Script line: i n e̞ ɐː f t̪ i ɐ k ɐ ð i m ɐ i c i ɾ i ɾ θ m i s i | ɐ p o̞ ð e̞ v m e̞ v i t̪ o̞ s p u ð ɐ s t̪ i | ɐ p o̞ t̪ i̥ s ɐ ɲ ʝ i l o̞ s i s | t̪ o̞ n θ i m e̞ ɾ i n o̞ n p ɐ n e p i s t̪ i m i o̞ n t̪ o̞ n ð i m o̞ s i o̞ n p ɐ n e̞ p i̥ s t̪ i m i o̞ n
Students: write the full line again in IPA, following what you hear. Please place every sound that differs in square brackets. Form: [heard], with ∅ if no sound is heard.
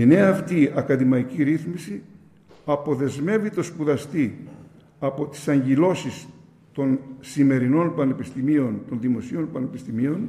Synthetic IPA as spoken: i n e̞ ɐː f t̪ i ɐ k ɐ ð i m ɐ i c i ɾ i [∅] θ m i s i | ɐ p o̞ ð e̞ [z] m e̞ v i t̪ o̞ s p u ð ɐ s t̪ i | ɐ p o̞ t̪ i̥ s ɐ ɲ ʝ i l o̞ s i s | t̪ o̞ n [s] i m e̞ ɾ i n o̞ n p ɐ n e p i s t̪ i m i o̞ n t̪ o̞ n ð i m o̞ s i o̞ n p ɐ n e̞ p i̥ s t̪ i m i o̞ n